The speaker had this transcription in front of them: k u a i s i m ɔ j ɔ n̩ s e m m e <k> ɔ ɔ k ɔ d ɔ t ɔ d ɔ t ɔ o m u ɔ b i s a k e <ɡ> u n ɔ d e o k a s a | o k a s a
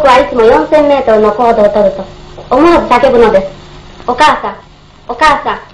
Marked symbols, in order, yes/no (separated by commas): no, no